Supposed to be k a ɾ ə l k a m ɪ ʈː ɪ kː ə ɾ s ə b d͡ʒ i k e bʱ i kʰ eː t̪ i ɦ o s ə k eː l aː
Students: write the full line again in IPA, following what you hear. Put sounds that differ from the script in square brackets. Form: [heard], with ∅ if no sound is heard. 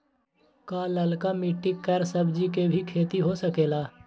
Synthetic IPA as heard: k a [l] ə l k a m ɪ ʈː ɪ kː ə ɾ s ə b d͡ʒ i k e bʱ i kʰ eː t̪ i ɦ o s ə k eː l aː